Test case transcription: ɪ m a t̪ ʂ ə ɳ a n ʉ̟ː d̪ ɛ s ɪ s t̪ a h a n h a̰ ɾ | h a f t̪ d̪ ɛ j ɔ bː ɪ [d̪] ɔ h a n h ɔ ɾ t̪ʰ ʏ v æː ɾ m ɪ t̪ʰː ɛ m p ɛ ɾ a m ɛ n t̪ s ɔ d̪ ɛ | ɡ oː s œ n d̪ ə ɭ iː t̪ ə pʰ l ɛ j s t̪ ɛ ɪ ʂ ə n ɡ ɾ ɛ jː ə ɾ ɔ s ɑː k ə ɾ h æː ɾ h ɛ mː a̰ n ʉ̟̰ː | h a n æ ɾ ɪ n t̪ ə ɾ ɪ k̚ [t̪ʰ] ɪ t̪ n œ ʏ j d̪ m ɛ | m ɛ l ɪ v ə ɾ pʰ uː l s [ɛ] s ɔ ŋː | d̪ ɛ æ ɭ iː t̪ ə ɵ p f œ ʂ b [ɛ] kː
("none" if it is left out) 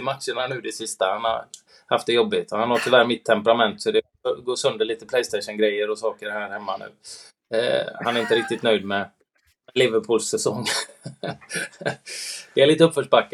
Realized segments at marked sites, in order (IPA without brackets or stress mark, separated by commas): t̪, t̪, ɛ, a